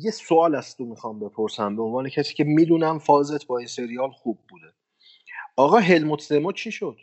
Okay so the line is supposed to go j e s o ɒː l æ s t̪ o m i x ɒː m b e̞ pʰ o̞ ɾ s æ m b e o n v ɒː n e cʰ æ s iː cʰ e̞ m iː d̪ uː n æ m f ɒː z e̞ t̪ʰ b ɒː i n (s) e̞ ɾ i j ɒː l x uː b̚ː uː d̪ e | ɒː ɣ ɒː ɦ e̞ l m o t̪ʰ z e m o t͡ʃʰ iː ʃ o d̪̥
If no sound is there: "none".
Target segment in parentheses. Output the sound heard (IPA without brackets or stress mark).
s